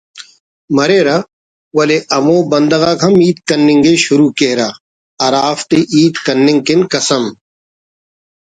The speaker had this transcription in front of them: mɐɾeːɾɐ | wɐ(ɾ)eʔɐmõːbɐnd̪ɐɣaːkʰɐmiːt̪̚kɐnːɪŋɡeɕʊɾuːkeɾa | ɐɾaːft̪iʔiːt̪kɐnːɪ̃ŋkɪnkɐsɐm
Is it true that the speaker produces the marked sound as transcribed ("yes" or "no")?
no